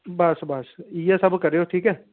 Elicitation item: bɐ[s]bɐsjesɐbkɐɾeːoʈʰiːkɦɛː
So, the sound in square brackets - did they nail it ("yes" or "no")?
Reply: yes